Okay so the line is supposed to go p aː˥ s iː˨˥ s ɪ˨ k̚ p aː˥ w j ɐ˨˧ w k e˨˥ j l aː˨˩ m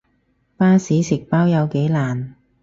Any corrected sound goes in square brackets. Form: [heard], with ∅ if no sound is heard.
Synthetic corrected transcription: p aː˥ s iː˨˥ s ɪ˨ k̚ p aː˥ w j ɐ˨˧ w k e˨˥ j l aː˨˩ [n]